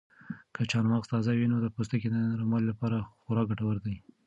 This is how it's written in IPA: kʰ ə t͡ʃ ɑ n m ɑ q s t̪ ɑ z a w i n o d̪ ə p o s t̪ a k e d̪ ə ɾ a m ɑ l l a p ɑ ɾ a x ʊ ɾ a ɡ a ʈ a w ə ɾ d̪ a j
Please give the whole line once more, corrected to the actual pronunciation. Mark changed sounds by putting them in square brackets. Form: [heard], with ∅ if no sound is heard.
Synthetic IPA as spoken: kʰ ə t͡ʃ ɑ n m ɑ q s t̪ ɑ z a w i n o d̪ ə p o s t̪ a k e d̪ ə ɾ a m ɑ l l a p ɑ ɾ a x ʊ ɾ [ɑ] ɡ a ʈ a w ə ɾ d̪ a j